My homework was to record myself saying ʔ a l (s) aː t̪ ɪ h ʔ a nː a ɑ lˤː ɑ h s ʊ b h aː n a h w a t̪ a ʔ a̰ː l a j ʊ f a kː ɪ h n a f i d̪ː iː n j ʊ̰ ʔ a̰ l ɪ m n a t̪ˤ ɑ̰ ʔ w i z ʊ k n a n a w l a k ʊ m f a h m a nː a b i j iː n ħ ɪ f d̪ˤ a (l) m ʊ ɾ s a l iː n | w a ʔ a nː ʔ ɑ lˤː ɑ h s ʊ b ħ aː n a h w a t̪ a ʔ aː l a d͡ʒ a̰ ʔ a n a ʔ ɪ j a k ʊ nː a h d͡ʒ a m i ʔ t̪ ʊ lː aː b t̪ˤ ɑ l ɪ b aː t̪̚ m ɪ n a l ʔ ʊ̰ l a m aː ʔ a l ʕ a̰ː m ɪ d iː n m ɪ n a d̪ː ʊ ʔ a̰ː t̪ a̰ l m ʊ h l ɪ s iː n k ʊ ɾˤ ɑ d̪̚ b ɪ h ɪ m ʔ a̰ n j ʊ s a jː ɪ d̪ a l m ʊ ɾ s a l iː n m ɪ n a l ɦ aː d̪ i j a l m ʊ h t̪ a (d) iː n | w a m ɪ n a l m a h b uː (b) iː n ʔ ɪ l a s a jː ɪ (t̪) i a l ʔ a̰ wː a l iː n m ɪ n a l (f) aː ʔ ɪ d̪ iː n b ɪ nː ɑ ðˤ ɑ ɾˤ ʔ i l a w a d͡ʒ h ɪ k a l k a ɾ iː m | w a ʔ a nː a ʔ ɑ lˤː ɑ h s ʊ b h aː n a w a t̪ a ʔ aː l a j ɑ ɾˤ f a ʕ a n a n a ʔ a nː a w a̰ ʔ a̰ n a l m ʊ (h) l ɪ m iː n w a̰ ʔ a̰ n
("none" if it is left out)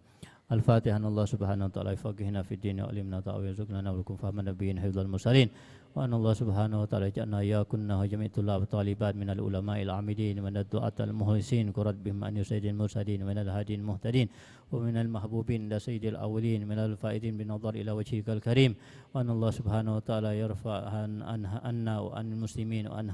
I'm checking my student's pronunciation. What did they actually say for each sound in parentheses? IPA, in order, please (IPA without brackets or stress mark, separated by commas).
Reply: f, l, d, b, d̪, f, s